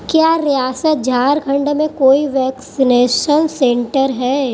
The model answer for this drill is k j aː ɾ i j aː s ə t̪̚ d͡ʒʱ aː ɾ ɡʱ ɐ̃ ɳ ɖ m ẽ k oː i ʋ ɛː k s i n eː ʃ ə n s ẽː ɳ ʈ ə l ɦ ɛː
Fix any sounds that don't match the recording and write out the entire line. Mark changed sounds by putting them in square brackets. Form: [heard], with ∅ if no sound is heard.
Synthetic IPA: k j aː ɾ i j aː s ə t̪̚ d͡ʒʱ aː ɾ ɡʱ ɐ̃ ɳ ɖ m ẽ k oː i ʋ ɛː k s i n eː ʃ ə n s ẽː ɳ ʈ ə [ɾ] ɦ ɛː